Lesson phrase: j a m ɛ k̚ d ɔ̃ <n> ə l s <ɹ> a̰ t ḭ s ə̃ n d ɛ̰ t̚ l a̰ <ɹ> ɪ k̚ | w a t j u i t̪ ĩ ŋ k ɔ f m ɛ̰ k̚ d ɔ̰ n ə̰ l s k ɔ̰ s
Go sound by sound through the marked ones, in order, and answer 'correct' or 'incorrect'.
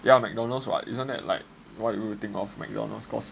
correct, correct, incorrect

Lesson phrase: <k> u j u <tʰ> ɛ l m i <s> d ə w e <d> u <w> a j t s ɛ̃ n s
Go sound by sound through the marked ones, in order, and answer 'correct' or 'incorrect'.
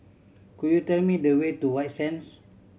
correct, incorrect, incorrect, incorrect, correct

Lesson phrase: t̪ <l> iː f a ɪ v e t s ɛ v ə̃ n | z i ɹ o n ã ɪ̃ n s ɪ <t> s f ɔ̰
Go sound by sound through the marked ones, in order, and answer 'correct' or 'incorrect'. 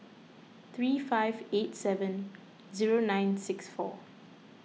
incorrect, incorrect

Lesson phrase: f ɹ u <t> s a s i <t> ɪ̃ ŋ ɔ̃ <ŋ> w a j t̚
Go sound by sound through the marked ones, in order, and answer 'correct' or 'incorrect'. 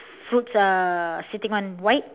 correct, correct, incorrect

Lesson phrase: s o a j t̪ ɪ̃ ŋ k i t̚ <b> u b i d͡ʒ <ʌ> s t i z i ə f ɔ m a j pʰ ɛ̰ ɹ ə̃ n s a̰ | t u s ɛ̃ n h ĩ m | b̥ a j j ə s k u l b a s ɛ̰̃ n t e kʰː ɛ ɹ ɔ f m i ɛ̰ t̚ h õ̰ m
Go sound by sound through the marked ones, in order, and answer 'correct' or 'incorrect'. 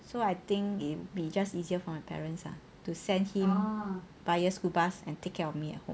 incorrect, incorrect

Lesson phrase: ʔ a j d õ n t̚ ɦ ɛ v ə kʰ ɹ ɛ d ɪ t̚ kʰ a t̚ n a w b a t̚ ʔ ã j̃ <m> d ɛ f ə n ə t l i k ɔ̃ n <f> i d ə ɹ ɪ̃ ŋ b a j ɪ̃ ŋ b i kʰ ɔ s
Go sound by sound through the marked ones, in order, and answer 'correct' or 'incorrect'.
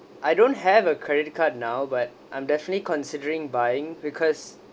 correct, incorrect

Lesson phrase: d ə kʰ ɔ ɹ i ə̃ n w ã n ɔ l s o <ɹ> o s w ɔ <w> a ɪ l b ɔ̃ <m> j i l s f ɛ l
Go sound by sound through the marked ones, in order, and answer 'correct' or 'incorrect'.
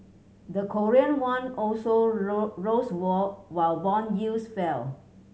correct, correct, incorrect

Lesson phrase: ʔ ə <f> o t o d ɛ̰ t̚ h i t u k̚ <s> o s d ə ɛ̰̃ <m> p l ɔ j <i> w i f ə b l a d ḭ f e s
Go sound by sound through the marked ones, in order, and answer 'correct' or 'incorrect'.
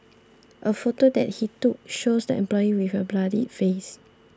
correct, incorrect, correct, correct

